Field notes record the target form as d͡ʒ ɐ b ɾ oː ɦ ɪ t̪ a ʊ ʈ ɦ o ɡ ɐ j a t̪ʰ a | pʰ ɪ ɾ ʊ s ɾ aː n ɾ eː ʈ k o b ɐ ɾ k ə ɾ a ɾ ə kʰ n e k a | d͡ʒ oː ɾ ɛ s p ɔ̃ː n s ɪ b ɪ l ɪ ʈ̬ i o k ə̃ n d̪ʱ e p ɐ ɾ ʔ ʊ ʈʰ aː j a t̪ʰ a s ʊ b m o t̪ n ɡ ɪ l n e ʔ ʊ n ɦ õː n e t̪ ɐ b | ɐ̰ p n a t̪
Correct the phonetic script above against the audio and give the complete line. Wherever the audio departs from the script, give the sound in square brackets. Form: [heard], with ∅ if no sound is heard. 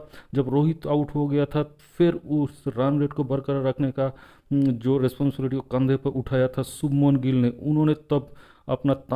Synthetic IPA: d͡ʒ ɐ b ɾ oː ɦ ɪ t̪ a ʊ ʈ ɦ o ɡ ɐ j a t̪ʰ a | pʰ ɪ ɾ ʊ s ɾ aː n ɾ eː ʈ k o b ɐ ɾ k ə ɾ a ɾ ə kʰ n e k a | d͡ʒ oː ɾ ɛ s p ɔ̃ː n s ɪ b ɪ l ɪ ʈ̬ i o k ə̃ n d̪ʱ e p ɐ ɾ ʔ ʊ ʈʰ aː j a t̪ʰ a s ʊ b m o [∅] n ɡ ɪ l n e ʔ ʊ n ɦ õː n e t̪ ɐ b | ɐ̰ p n a t̪

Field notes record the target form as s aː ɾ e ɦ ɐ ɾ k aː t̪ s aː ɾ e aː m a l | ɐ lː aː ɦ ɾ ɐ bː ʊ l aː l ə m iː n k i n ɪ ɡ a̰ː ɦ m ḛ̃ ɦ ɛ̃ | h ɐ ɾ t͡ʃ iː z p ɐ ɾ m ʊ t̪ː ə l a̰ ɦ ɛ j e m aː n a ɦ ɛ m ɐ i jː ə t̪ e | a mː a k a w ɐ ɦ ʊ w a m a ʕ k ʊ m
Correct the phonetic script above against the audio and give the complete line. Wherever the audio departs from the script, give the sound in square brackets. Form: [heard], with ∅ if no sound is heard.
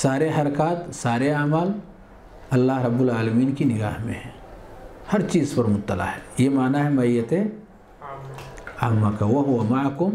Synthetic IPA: s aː ɾ e ɦ ɐ ɾ k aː t̪ s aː ɾ e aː m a l | ɐ lː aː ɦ ɾ ɐ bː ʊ l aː l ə m iː n k i n ɪ ɡ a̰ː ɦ m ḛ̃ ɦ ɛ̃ | h ɐ ɾ t͡ʃ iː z p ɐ ɾ m ʊ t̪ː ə l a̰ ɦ ɛ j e m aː n a ɦ ɛ m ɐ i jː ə t̪ e | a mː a k a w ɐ ɦ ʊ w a m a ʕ k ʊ m

